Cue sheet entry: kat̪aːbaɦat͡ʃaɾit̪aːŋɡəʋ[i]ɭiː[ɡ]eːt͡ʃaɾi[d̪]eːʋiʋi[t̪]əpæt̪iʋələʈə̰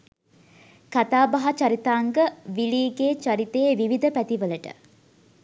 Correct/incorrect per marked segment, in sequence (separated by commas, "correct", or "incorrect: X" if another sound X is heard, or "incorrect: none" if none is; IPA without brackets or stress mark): correct, correct, incorrect: t̪, incorrect: d̪